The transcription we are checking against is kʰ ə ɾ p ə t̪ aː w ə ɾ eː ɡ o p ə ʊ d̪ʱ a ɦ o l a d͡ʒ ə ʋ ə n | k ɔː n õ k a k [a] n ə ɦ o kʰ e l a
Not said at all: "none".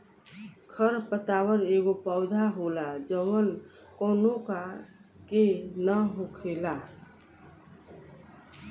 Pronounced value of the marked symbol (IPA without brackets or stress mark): e